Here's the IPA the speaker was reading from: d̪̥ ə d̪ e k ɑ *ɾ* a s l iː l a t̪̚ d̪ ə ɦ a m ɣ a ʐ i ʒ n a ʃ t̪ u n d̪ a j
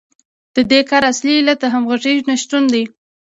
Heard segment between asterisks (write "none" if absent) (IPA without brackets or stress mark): ɾ